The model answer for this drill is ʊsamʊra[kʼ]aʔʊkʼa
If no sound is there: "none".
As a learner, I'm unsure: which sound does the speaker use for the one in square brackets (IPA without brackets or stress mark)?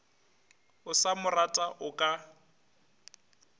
tʼ